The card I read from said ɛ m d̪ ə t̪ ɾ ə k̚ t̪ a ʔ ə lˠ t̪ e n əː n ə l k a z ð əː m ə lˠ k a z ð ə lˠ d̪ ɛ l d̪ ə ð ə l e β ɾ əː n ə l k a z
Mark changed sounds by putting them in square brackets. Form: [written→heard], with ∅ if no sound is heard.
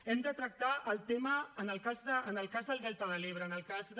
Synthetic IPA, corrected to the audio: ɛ m d̪ ə t̪ ɾ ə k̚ t̪ a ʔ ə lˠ t̪ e [n→m] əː n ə l k a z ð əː [m→n] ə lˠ k a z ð ə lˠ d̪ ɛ l [d̪→t̪] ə ð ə l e β ɾ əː n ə l k a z

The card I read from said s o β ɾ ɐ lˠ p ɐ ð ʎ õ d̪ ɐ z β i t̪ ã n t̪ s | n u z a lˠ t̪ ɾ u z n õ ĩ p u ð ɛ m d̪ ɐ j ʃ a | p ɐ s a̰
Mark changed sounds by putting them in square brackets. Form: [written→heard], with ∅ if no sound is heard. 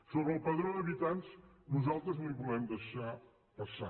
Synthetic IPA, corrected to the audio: s o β ɾ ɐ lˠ p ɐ ð [ʎ→ɾ] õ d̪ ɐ [z→∅] β i t̪ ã n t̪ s | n u z a lˠ t̪ ɾ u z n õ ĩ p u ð ɛ m d̪ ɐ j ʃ a | p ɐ s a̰

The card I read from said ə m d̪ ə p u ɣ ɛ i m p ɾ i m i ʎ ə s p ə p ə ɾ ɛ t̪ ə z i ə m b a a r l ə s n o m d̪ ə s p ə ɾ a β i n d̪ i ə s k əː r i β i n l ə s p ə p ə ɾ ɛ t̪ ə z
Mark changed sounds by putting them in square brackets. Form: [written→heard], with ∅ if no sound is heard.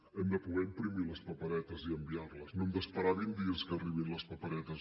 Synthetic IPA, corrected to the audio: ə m d̪ ə p u ɣ ɛ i m p ɾ i m i [ʎ→l] ə s p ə p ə ɾ ɛ t̪ ə z i ə m b [a→i] a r l ə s n o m d̪ ə s p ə ɾ a β i n d̪ i ə s k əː r i β i n l ə s p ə p ə ɾ ɛ t̪ ə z

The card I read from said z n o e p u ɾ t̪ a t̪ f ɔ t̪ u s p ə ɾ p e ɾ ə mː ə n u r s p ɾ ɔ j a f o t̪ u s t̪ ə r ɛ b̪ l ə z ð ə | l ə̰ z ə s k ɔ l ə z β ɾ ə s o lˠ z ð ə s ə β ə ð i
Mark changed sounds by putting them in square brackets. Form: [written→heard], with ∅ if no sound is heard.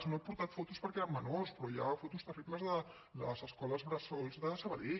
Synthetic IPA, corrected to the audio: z n o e p u ɾ t̪ a t̪ f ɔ t̪ u s p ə ɾ [p→k] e ɾ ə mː ə n [u→o] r s p ɾ ɔ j a f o t̪ u s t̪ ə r [ɛ→i] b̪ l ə z ð ə | l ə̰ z ə s k ɔ l ə z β ɾ ə s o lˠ z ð ə s ə β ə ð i

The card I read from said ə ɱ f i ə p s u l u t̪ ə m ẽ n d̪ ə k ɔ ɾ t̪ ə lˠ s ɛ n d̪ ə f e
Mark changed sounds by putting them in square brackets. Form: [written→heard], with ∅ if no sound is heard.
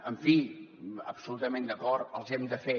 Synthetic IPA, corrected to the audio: ə ɱ f i ə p s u l u t̪ ə m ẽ n d̪ ə k ɔ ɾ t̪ ə lˠ [s→z] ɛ [n→m] d̪ ə f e

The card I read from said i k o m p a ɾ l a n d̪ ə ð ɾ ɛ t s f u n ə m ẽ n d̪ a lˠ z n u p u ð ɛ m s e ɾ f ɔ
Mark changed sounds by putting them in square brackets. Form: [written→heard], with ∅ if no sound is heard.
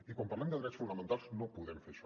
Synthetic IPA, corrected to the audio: i k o m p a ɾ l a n d̪ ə ð ɾ ɛ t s f u n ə m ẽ n [d̪→t̪] a lˠ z n [u→o] p u ð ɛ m [s→f] e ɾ [f→ʃ] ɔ

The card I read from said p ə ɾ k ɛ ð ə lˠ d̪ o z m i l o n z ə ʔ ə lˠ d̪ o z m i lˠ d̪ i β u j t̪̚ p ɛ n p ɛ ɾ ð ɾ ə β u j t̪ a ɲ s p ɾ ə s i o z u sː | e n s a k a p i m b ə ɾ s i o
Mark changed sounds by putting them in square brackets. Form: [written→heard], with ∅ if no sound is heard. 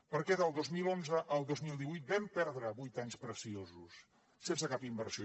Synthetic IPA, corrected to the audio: p ə ɾ k ɛ ð ə lˠ d̪ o z m i l o n z ə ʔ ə lˠ d̪ o z m i lˠ d̪ i β u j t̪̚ [p→b] ɛ [n→m] p ɛ ɾ ð ɾ ə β u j t̪ a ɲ s p ɾ ə s i o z u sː | e n s [a→ə] k a p i m b ə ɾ s i o

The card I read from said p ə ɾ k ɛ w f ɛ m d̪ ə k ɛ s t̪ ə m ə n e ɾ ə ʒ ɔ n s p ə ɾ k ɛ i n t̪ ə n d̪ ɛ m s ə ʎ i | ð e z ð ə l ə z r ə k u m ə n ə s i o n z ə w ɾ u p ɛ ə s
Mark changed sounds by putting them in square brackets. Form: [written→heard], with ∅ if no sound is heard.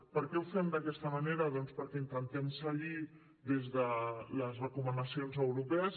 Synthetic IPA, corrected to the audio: p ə ɾ k ɛ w f ɛ m d̪ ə k ɛ s t̪ ə m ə n e ɾ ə [ʒ→ð] ɔ n s p ə ɾ k ɛ i n t̪ ə n [d̪→t̪] ɛ m s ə ʎ i | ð e z ð ə l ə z r ə k u m ə n ə s i o n z ə w ɾ u p ɛ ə s

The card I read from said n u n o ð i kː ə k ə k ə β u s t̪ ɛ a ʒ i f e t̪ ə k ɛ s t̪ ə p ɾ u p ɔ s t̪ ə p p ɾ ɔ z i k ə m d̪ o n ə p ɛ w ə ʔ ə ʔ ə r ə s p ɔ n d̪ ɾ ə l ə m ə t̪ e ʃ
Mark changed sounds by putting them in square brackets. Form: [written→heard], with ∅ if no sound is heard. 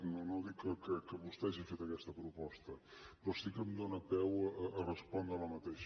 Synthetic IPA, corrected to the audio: n [u→o] n o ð i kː ə k ə k ə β u s t̪ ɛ a ʒ i f e t̪ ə k ɛ s t̪ ə p ɾ u p ɔ s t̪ ə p p ɾ ɔ [z→s] i k ə m d̪ o n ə p ɛ w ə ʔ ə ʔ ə r ə s p ɔ n d̪ ɾ ə l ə m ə t̪ e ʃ

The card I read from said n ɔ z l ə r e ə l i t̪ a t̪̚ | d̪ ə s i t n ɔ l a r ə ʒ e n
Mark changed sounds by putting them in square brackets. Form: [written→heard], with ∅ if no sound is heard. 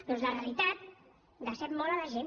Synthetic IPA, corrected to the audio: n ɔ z l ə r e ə l i t̪ a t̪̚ | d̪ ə s [i→ɛ] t [n→m] ɔ l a [r→l] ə ʒ e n

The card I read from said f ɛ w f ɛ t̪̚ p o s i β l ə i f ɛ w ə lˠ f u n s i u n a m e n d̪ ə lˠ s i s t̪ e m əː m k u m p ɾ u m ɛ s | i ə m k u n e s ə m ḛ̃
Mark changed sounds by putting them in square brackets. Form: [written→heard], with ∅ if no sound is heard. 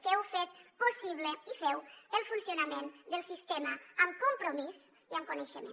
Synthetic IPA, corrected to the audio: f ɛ w f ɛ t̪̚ p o s i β l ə i f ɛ w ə lˠ f u n s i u n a m e n d̪ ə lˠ s i s t̪ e m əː m k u m p ɾ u m [ɛ→i] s | i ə m k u n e [s→ʃ] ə m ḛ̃

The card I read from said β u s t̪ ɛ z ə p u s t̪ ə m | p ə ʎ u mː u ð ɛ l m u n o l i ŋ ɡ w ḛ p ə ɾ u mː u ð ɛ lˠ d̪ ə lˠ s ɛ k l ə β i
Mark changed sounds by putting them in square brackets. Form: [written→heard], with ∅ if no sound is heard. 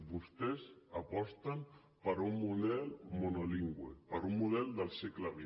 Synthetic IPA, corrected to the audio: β u s t̪ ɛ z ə p [u→ɔ] s t̪ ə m | p ə [ʎ→ɾ] u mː u ð ɛ l m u n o l i ŋ ɡ w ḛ p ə ɾ u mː u ð ɛ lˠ d̪ ə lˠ s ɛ k l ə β i

